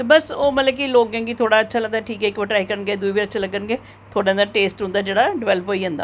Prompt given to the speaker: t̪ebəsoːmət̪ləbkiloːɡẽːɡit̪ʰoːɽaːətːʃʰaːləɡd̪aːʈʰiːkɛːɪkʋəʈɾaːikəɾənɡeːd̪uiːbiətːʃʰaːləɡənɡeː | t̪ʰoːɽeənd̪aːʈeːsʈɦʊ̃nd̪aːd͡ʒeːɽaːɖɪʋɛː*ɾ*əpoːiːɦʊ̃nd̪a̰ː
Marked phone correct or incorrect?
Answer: incorrect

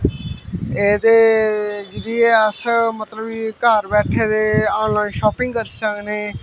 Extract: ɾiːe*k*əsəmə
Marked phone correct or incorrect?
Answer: incorrect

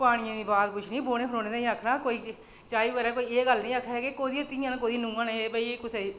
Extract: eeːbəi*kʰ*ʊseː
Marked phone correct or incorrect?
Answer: incorrect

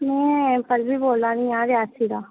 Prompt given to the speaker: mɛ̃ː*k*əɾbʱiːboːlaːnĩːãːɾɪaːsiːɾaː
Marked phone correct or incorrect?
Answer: incorrect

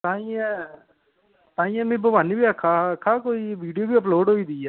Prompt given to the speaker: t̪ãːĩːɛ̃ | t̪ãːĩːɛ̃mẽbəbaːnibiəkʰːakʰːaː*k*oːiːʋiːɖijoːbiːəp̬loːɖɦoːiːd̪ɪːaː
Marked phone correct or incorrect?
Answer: correct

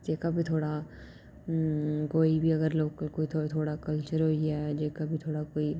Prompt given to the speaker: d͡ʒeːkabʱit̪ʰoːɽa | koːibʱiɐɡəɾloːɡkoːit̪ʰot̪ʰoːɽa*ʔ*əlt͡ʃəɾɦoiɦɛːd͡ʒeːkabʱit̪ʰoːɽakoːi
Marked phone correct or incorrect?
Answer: incorrect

